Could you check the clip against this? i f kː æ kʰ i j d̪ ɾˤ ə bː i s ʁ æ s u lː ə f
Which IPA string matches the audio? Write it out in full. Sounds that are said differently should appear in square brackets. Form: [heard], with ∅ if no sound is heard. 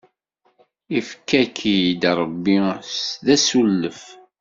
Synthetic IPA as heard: i f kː æ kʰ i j d̪ ɾˤ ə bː i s [ð] æ s u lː ə f